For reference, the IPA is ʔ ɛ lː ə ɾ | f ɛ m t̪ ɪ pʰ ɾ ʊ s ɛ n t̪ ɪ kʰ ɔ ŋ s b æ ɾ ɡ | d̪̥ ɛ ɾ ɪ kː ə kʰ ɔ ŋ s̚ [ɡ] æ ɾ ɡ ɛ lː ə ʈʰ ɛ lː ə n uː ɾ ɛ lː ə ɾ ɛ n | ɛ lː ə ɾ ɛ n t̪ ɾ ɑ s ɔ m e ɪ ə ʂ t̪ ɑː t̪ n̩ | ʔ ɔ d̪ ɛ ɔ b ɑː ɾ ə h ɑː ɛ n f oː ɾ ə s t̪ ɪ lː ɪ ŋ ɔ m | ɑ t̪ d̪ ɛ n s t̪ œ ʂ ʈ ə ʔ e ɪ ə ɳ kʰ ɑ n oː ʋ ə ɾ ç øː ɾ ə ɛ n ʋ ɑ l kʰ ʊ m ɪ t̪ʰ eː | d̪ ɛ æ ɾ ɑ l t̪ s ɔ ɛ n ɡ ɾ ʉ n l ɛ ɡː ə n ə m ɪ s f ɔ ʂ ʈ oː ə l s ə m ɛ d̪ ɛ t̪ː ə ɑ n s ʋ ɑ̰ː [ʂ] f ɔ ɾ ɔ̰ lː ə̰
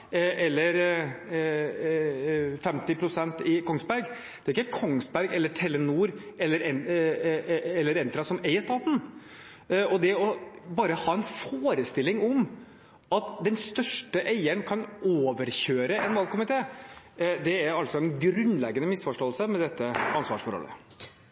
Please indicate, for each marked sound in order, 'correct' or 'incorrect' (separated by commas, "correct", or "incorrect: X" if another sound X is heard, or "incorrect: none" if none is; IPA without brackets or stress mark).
incorrect: b, correct